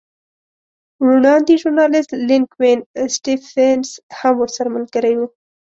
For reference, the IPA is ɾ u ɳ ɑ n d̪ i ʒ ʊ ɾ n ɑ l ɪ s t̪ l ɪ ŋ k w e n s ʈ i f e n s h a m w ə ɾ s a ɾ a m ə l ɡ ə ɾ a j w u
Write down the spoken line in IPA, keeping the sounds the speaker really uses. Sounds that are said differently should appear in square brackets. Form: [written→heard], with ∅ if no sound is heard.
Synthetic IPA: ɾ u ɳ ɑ n d̪ i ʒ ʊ ɾ n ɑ l ɪ s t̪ l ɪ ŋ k w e n s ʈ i f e n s h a m w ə ɾ s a ɾ a m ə l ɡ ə ɾ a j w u